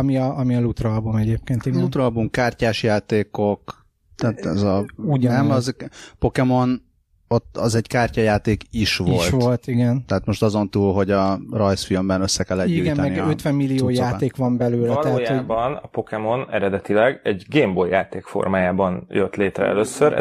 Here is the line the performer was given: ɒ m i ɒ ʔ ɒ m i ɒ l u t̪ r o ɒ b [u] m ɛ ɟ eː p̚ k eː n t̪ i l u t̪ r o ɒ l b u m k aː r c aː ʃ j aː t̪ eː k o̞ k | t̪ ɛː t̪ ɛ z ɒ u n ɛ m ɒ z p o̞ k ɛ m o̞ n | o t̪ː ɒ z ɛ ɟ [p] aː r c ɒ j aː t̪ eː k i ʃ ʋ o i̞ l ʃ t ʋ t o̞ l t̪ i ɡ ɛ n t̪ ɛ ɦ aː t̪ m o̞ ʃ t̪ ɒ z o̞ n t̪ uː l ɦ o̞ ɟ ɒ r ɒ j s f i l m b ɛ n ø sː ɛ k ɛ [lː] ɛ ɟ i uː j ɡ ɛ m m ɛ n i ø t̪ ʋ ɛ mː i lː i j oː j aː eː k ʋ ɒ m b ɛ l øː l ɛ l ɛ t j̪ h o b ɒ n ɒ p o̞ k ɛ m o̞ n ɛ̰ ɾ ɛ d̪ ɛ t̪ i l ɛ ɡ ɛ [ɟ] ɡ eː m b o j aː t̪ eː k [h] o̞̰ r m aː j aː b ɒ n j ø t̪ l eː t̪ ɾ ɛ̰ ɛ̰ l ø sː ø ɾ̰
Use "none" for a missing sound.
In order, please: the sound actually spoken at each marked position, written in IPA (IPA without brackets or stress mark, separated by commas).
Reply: u, k, lː, ɟ, f